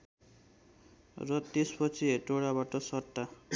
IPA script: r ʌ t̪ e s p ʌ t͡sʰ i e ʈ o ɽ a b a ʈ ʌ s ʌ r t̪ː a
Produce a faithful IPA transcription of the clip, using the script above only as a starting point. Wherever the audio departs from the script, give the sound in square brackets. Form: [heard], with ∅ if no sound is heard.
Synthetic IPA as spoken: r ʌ t̪ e s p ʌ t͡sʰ i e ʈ o ɽ a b a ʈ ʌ s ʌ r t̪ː a